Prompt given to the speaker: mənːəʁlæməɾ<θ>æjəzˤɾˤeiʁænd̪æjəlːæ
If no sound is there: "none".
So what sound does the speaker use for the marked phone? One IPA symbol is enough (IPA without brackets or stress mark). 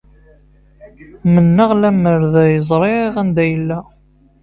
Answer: ð